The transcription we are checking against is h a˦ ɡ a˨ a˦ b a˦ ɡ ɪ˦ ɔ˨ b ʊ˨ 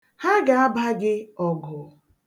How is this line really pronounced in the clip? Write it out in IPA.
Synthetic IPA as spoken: h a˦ ɡ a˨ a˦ b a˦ ɡ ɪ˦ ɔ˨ ɡ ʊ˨